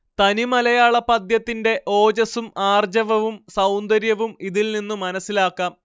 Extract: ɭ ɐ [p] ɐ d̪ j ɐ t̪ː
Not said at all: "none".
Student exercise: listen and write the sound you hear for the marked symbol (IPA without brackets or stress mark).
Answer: p